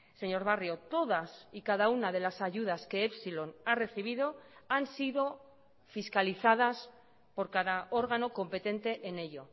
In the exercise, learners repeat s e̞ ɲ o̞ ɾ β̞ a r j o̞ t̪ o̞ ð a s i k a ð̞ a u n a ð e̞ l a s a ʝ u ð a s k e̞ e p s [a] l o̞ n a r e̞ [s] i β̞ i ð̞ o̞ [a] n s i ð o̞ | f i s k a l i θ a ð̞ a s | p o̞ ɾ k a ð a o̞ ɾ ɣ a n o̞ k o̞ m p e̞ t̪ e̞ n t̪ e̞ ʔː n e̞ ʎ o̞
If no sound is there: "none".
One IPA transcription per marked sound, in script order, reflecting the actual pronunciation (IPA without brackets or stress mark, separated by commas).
i, θ, a